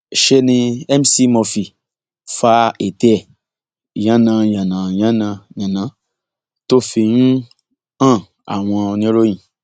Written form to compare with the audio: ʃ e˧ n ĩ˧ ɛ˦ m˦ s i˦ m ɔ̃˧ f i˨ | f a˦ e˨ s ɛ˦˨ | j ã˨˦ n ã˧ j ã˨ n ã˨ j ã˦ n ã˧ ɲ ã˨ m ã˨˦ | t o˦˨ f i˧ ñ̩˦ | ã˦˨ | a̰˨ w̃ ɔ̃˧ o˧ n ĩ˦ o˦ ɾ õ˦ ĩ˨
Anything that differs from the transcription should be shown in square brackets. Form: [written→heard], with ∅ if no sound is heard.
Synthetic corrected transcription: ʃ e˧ n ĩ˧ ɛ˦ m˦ s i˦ m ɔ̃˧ f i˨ | f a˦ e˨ [s→t] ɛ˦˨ | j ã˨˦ n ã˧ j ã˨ n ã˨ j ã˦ n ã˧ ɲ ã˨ [m→n] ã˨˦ | t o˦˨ f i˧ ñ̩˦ | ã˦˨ | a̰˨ w̃ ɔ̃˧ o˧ n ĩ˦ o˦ ɾ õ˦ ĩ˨